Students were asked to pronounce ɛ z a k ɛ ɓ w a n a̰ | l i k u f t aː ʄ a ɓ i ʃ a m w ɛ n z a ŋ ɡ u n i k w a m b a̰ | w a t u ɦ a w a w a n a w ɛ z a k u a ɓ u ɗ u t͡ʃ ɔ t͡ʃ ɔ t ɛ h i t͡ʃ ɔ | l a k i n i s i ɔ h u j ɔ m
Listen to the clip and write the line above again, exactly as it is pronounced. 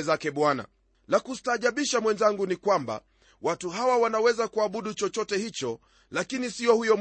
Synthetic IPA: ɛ z a k ɛ ɓ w a n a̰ | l a k u s t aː ʄ a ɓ i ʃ a m w ɛ n z a ŋ ɡ u n i k w a m b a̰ | w a t u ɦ a w a w a n a w ɛ z a k u a ɓ u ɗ u t͡ʃ ɔ t͡ʃ ɔ t ɛ h i t͡ʃ ɔ | l a k i n i s i ɔ h u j ɔ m